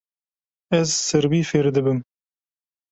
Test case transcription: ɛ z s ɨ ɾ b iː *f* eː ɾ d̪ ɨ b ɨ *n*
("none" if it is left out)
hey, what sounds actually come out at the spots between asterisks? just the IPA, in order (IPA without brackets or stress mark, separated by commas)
f, m